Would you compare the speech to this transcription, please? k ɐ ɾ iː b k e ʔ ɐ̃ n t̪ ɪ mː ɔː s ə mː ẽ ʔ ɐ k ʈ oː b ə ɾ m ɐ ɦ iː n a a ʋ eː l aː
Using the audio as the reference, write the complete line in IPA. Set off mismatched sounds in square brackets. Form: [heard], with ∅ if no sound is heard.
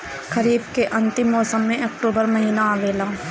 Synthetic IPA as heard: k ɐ ɾ iː b k e ʔ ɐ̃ n t̪ ɪ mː ɔː s ə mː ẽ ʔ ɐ k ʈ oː b ə ɾ m ɐ ɦ iː n a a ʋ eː l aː